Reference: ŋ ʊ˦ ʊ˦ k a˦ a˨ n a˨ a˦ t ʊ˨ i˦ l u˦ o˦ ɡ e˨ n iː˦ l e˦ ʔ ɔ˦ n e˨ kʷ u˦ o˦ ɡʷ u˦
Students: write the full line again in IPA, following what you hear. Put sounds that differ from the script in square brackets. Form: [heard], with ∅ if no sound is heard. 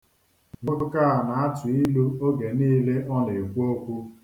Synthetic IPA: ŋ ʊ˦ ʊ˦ k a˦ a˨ n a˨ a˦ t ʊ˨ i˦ l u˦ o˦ ɡ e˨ n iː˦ l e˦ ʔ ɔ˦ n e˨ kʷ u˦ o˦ [kʷ] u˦